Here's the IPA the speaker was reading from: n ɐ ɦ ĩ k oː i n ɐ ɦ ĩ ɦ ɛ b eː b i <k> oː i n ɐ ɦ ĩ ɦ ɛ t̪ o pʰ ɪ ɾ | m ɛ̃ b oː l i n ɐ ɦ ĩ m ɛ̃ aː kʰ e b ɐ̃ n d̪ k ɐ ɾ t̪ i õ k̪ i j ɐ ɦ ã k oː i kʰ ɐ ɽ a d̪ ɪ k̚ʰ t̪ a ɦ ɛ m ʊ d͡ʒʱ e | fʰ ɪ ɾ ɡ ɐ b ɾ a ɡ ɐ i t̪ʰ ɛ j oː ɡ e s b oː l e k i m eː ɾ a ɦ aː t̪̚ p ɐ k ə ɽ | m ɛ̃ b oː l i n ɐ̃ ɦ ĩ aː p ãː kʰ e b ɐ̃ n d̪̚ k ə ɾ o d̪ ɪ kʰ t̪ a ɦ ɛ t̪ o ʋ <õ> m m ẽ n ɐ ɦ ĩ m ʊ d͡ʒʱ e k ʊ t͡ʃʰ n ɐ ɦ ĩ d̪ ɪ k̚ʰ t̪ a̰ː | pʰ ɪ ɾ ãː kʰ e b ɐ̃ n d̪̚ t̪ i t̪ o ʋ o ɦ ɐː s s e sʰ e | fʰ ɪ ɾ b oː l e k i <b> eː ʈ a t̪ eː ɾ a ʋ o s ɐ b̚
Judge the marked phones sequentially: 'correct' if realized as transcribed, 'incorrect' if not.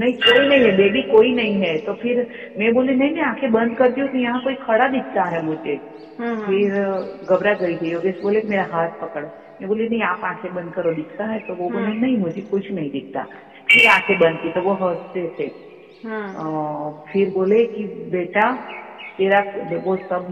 correct, incorrect, correct

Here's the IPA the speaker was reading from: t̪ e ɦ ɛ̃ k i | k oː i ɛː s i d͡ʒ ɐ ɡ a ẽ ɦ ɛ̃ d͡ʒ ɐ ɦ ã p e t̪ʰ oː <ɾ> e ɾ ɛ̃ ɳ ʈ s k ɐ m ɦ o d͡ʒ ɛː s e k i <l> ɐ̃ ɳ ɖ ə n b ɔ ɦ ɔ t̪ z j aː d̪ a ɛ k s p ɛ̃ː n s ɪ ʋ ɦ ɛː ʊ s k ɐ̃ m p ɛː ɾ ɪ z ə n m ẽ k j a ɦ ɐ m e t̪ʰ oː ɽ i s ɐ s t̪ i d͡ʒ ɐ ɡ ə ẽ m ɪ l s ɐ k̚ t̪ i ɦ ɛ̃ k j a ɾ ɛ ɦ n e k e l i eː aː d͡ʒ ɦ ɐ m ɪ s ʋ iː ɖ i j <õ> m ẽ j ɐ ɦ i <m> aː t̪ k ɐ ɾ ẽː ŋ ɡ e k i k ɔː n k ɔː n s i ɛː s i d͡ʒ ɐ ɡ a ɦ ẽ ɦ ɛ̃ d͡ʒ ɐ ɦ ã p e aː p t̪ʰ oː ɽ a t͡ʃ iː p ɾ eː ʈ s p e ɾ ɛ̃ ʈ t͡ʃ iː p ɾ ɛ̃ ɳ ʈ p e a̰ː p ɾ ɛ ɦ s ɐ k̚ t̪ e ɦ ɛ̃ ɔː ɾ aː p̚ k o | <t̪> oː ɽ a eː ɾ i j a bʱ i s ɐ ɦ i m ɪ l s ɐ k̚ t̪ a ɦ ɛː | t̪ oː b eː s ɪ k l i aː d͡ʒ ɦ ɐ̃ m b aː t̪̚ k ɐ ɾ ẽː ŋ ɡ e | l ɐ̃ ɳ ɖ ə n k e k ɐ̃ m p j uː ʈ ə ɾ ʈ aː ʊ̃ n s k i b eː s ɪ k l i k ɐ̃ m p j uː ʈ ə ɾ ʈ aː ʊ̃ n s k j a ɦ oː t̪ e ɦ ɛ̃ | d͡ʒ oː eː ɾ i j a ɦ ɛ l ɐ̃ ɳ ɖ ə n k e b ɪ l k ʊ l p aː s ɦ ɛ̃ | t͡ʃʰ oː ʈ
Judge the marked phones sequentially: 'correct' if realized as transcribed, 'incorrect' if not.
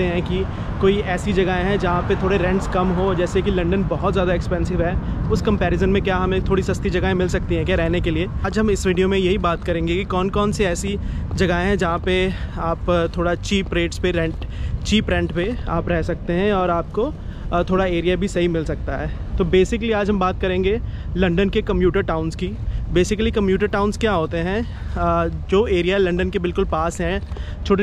incorrect, correct, incorrect, incorrect, incorrect

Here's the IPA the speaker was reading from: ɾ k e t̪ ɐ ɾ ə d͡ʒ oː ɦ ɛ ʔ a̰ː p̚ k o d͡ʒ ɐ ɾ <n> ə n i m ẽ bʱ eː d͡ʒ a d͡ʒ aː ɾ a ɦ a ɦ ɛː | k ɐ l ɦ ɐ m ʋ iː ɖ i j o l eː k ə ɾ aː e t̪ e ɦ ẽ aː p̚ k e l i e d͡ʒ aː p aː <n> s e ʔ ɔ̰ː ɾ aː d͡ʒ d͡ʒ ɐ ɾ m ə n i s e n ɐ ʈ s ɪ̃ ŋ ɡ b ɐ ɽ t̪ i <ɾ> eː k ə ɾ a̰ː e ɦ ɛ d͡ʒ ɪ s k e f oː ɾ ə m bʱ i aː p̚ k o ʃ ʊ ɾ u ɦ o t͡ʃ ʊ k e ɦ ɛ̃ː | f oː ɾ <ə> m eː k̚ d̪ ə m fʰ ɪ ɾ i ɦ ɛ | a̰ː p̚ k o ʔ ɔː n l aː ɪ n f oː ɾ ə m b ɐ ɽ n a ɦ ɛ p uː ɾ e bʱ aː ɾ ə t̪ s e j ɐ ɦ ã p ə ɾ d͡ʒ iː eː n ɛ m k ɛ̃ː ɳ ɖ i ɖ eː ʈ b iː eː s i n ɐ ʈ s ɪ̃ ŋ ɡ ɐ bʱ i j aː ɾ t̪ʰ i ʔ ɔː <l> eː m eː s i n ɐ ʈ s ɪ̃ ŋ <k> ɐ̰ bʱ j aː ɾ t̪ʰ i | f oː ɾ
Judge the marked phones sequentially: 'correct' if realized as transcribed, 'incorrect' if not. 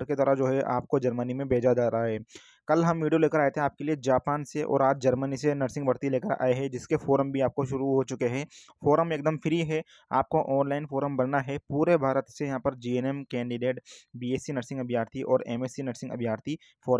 incorrect, correct, incorrect, correct, incorrect, incorrect

